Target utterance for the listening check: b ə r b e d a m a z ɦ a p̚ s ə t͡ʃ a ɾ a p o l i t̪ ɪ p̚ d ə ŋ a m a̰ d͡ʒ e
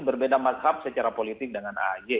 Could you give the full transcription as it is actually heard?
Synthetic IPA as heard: b ə r b e d a m a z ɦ a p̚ s ə t͡ʃ a ɾ a p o l i t̪ ɪ k̚ d ə ŋ a n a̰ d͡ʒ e